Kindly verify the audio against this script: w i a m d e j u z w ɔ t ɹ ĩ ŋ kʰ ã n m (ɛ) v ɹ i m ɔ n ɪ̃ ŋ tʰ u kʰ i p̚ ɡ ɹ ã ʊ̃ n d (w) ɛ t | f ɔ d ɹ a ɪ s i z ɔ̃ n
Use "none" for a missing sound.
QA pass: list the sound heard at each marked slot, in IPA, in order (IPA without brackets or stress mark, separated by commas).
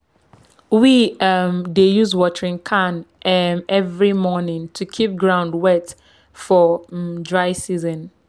ɛ, w